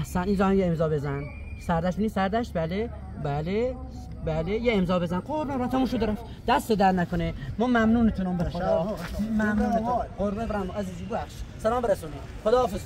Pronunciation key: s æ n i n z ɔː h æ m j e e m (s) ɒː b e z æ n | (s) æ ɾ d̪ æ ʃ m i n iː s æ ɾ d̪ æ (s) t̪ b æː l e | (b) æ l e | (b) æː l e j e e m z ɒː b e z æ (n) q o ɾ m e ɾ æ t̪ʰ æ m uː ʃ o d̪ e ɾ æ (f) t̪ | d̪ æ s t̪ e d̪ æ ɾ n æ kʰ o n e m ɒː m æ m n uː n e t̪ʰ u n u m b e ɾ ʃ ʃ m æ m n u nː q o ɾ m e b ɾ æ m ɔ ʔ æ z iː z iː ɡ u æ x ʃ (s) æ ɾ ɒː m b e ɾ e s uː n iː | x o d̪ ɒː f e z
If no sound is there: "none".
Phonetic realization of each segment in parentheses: z, s, ʃ, b, b, n, f, s

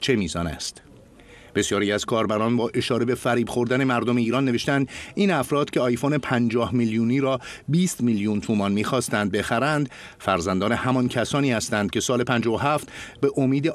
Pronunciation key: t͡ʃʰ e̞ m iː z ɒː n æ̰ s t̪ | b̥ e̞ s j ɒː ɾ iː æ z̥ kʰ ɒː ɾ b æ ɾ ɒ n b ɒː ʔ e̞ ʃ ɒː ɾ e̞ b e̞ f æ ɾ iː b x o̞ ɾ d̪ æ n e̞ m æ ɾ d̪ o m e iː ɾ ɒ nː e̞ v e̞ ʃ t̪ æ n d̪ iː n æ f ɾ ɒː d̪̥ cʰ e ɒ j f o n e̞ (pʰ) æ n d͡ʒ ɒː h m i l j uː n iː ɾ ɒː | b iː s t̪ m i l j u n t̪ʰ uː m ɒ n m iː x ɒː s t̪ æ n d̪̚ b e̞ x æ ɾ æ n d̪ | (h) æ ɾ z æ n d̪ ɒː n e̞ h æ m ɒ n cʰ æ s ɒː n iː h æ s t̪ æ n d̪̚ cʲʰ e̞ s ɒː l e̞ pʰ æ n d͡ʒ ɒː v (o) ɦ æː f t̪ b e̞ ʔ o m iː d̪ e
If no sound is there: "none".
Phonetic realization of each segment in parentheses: pʰ, f, o

